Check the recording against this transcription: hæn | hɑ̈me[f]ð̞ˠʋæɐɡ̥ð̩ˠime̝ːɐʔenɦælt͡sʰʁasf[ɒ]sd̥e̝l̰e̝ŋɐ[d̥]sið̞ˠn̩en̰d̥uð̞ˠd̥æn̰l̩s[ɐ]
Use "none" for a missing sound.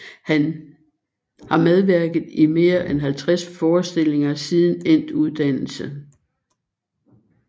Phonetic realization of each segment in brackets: none, ɒː, none, ə

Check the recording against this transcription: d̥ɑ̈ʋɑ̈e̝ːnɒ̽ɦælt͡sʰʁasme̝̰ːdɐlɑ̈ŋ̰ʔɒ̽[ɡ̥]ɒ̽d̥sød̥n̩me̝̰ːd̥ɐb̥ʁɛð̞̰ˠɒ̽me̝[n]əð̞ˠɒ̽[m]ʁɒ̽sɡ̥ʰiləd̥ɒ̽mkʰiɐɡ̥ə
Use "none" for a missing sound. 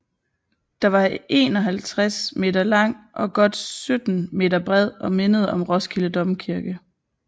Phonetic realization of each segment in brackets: ɡ̥, n, m

